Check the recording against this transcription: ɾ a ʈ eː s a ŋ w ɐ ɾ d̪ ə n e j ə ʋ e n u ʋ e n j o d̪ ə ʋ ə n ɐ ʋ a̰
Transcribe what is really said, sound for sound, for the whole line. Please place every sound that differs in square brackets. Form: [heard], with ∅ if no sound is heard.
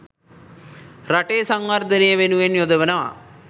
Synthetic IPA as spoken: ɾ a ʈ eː s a ŋ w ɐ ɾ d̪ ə n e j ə ʋ e n u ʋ e n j o d̪ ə ʋ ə n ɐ ʋ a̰